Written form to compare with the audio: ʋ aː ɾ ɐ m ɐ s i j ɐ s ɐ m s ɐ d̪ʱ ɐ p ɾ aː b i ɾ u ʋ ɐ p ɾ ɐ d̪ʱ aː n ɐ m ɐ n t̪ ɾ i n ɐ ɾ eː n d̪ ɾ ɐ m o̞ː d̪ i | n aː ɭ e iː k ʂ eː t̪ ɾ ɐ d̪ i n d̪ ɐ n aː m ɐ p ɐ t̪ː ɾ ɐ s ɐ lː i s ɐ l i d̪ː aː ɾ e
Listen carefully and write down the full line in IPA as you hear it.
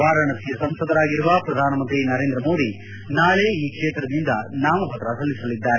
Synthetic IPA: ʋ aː ɾ ɐ ɳ ɐ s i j ɐ s ɐ m s ɐ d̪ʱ ɐ ɾ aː ɡ i ɾ u ʋ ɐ p ɾ ɐ d̪ʱ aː n ɐ m ɐ n t̪ ɾ i n ɐ ɾ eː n d̪ ɾ ɐ m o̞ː d̪ i | n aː ɭ e iː k ʂ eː t̪ ɾ ɐ d̪ i n d̪ ɐ n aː m ɐ p ɐ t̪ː ɾ ɐ s ɐ lː i s ɐ l i d̪ː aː ɾ e